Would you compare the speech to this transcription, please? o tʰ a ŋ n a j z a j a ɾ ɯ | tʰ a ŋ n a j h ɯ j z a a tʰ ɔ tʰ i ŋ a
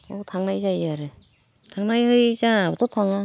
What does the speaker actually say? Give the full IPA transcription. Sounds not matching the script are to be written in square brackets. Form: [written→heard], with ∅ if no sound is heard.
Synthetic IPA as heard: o tʰ a ŋ n a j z a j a ɾ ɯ | tʰ a ŋ n a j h ɯ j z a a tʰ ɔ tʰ [i→a] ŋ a